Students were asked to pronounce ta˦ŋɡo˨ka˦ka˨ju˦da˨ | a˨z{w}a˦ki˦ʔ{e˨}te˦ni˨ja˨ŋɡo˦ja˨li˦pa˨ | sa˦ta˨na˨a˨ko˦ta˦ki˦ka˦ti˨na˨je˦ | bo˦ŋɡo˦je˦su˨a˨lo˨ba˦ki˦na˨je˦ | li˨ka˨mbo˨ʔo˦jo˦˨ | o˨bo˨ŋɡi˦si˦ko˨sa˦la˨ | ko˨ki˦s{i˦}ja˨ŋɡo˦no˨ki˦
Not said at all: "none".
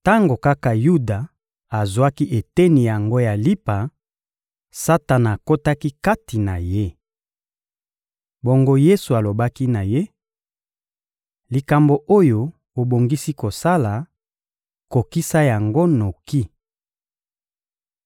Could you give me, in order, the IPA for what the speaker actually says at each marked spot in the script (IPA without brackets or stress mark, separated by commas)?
w, e˨, a˦